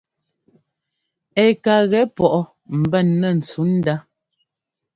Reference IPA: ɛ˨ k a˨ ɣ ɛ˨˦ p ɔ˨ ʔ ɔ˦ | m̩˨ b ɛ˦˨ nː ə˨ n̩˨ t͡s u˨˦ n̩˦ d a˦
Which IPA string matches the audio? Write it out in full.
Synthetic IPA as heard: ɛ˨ k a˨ ɣ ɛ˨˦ p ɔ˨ ʔ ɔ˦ | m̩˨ b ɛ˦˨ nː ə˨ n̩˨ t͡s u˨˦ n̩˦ d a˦